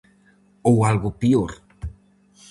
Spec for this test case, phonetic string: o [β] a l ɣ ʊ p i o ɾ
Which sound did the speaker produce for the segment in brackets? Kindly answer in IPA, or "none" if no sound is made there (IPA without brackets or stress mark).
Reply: w